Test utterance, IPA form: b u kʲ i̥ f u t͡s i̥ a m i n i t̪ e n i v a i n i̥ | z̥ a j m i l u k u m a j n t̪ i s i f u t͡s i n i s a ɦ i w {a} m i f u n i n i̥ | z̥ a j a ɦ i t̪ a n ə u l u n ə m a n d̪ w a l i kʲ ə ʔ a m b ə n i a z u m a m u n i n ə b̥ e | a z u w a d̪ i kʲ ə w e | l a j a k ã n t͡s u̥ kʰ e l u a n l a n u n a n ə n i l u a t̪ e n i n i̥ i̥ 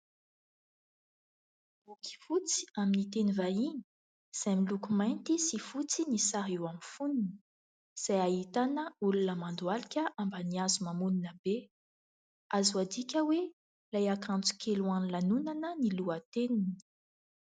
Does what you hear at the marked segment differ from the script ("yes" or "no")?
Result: no